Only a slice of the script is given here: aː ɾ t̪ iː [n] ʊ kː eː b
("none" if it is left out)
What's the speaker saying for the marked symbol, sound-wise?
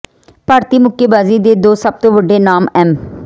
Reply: m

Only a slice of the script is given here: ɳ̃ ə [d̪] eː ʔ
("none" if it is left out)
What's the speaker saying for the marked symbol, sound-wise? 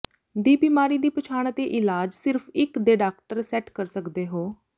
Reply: t̪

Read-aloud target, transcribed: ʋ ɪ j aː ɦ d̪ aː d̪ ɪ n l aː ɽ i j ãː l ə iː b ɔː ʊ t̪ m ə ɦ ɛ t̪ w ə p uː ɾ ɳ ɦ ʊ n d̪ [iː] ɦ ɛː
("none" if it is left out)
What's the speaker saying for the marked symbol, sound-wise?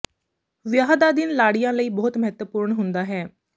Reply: aː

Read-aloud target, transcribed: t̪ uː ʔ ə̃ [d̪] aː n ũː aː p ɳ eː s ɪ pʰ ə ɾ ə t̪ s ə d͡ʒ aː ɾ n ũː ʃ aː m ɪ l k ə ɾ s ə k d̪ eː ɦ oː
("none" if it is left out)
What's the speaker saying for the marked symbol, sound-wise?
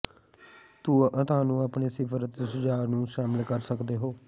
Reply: t̪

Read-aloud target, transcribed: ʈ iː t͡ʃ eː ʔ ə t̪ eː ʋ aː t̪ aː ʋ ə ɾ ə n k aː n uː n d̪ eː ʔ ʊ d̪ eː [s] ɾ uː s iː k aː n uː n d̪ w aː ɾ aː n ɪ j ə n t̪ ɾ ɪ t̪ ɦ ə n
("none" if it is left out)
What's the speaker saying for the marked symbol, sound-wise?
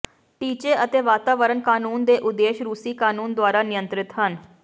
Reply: ʃ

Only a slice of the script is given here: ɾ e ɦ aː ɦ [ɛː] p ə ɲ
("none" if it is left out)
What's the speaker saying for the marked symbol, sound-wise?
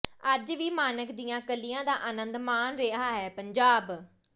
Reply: ɛː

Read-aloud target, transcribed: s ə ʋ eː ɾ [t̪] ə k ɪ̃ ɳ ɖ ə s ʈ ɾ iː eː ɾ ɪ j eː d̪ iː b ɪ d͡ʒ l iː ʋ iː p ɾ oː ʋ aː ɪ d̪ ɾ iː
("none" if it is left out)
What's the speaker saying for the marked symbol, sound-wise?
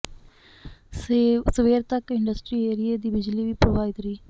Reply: t̪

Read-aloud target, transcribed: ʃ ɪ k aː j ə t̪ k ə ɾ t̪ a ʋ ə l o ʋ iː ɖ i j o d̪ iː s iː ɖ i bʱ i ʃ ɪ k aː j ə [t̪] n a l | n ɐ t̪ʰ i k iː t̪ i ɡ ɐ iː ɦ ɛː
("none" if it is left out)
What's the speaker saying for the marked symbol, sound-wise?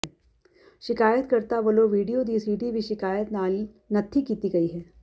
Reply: t̪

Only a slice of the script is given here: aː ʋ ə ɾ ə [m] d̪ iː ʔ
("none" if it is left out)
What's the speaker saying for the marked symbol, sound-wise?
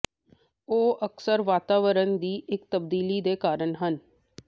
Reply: n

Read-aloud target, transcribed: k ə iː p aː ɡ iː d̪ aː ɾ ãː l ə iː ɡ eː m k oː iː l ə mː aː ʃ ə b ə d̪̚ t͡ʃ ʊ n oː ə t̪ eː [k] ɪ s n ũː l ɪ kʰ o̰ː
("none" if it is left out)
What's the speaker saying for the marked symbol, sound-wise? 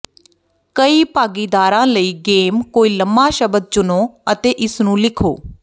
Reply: ʔ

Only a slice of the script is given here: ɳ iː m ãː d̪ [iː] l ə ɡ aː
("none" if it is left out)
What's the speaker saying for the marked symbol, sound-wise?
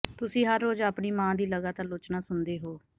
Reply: iː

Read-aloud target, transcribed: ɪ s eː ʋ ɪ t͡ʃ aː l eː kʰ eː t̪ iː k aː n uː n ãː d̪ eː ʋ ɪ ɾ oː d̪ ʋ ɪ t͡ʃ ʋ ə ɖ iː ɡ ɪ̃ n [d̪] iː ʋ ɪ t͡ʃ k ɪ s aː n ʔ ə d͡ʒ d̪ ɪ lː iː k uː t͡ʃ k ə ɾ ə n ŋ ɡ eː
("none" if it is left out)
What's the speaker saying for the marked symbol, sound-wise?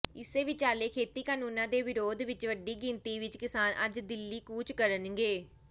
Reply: t̪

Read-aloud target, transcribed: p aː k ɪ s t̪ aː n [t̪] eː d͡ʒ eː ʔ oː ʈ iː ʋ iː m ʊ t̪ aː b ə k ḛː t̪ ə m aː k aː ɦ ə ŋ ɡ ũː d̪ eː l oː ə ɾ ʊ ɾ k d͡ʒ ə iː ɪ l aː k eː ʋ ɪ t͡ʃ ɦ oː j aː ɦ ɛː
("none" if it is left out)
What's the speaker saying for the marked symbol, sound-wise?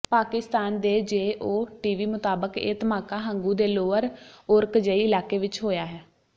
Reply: d̪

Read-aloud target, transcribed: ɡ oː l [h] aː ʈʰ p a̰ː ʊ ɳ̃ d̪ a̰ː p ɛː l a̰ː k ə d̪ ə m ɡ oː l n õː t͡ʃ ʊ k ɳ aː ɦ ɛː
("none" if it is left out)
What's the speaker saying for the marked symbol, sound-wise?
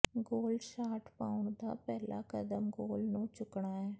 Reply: ʃ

